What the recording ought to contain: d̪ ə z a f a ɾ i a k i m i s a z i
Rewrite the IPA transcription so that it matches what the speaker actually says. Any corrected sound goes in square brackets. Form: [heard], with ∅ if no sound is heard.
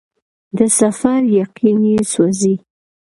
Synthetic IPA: d̪ ə [s] a f a ɾ [j] a [q] i [n] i s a z i